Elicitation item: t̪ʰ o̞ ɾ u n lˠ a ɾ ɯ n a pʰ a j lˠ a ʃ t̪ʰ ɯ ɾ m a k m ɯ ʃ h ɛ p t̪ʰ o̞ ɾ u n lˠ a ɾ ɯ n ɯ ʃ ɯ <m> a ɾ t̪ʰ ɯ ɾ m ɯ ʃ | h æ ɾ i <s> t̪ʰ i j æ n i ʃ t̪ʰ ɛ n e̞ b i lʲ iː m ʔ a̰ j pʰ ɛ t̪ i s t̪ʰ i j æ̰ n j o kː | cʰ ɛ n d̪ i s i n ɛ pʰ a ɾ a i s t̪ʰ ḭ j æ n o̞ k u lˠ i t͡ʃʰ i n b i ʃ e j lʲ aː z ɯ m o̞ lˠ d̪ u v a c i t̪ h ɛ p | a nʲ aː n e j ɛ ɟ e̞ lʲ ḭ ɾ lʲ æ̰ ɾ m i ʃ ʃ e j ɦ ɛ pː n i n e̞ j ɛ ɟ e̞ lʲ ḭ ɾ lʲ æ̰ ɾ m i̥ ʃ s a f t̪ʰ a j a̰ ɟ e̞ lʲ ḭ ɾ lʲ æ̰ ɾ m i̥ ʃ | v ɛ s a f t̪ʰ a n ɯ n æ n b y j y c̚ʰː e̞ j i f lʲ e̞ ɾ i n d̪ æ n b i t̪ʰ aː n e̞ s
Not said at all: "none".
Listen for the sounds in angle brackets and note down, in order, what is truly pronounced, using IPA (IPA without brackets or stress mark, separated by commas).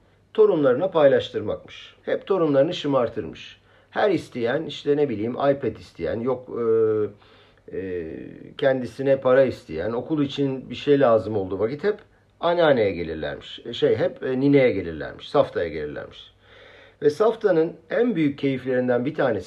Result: m, s